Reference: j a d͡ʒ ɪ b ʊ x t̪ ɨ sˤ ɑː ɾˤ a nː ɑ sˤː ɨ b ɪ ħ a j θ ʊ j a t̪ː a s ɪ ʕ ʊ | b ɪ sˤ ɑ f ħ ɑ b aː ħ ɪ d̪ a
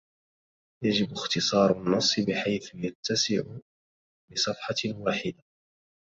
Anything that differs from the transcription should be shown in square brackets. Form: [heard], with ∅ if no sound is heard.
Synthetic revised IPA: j a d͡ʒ ɪ b ʊ x t̪ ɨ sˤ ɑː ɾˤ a nː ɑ sˤː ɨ b ɪ ħ a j θ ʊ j a t̪ː a s ɪ ʕ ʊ | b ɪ sˤ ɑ f ħ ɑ [w] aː ħ ɪ d̪ a